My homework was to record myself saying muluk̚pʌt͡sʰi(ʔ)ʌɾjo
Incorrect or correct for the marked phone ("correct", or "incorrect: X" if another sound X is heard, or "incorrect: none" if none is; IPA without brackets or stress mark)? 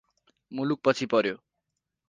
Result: incorrect: p